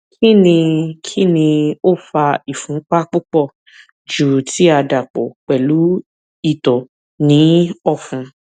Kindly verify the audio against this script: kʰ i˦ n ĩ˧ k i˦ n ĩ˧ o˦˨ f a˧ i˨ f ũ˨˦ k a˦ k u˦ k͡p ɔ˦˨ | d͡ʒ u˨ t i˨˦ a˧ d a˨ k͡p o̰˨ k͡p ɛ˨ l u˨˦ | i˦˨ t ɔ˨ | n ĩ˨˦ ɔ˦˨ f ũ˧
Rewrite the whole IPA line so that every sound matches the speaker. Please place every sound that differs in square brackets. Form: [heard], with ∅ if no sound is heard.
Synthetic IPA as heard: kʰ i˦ n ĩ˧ [kʰ] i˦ n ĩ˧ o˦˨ f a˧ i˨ f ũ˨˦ [k͡p] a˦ [k͡p] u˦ k͡p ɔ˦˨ | d͡ʒ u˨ t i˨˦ a˧ d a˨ k͡p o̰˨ k͡p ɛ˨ l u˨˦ | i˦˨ t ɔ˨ | n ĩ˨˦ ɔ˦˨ f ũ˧